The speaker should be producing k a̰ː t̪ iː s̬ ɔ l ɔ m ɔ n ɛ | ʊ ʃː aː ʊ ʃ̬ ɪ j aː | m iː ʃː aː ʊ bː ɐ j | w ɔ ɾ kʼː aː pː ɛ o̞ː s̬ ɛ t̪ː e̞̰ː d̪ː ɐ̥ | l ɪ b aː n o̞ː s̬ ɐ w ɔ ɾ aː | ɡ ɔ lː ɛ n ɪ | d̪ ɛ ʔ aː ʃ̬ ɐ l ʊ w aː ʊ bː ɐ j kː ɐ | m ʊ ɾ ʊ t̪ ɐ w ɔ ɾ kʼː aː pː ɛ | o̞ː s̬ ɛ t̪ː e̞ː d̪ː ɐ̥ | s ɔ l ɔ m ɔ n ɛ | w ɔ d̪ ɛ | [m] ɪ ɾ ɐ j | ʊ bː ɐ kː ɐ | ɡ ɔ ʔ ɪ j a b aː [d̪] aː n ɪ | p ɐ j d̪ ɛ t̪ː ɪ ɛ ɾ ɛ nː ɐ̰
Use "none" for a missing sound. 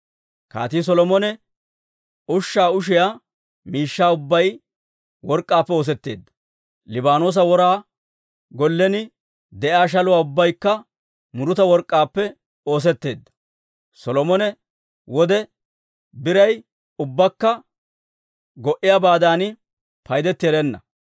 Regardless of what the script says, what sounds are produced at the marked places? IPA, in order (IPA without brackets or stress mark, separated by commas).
b, d̪